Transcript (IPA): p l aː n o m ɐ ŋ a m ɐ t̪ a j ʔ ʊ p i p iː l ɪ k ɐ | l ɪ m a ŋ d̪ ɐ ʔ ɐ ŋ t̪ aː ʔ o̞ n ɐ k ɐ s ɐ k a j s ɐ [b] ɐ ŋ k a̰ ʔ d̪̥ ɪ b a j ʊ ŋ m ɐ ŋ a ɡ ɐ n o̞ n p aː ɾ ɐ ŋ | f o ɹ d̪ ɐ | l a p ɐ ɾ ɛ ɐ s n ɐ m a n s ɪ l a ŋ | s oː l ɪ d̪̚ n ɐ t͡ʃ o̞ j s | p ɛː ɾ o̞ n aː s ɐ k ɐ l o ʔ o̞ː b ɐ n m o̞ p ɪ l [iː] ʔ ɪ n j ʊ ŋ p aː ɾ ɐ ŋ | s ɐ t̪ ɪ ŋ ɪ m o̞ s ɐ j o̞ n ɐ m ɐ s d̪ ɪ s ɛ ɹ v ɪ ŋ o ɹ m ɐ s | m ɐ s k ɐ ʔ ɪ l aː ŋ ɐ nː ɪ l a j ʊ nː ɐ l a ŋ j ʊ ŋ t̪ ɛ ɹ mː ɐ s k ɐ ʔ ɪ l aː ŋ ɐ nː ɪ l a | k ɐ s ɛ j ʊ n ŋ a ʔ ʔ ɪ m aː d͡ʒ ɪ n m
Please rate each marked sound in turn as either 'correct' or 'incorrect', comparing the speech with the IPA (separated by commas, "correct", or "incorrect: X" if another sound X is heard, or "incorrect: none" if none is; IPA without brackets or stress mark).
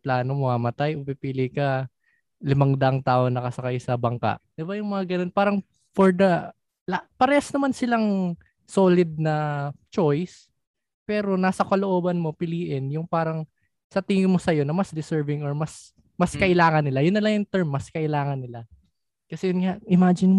correct, correct